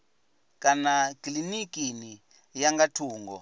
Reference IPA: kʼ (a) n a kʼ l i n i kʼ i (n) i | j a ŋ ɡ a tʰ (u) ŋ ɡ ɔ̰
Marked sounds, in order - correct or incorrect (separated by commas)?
correct, correct, incorrect